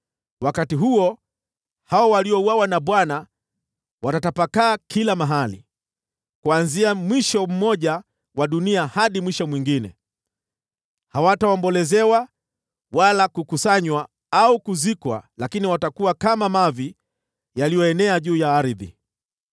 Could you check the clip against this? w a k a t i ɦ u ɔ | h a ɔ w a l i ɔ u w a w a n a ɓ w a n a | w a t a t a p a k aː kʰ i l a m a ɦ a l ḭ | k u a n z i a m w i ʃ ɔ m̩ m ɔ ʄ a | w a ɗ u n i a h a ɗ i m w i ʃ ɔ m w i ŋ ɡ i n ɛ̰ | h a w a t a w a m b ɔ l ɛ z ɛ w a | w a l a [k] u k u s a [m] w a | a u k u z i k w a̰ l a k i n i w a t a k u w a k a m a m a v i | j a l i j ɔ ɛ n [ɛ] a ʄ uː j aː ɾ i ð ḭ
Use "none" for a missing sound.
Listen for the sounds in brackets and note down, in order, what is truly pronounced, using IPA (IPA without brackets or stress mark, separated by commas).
k, ɲ, ɛ